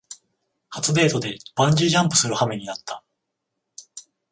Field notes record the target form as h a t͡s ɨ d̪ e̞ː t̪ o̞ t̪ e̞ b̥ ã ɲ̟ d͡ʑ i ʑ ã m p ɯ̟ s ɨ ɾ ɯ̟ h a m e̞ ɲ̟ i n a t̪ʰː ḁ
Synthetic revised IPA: h a t͡s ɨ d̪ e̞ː t̪ o̞ d̪ e̞ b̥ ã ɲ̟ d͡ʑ i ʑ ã m p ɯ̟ s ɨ ɾ ɯ̟ h a m e̞ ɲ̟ i n a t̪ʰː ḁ